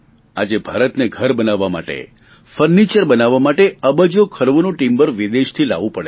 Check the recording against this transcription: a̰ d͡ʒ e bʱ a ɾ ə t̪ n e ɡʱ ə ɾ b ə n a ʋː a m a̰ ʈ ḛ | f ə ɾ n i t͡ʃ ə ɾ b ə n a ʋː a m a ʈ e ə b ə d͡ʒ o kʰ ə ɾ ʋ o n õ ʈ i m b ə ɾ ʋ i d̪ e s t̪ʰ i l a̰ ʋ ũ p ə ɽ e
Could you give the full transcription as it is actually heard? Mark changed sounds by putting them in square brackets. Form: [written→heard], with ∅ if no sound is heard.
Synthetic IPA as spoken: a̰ d͡ʒ e bʱ a ɾ ə t̪ n e ɡʱ ə ɾ b ə n a ʋː a m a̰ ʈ ḛ | f ə ɾ n i t͡ʃ ə ɾ b ə n a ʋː a m a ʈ e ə b ə d͡ʒ o kʰ ə ɾ ʋ o n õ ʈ i m b ə ɾ ʋ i d̪ e [s→ʃ] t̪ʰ i l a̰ ʋ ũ p ə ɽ e